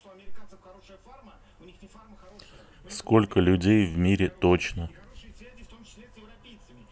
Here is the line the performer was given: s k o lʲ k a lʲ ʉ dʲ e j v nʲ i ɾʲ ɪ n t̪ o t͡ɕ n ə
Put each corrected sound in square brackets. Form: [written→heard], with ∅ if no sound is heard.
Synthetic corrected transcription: s k o lʲ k [a→ə] lʲ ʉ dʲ e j v [nʲ→mʲ] i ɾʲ ɪ [n→∅] t̪ o t͡ɕ n ə